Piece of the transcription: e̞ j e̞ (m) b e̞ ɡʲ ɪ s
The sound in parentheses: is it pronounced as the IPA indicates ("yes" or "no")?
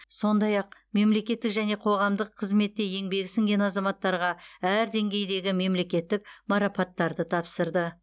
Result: no